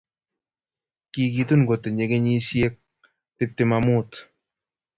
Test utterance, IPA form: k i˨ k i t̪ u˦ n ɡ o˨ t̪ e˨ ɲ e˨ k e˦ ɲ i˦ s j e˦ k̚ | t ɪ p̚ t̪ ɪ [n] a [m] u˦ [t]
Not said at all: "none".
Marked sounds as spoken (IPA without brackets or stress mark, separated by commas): m, m, t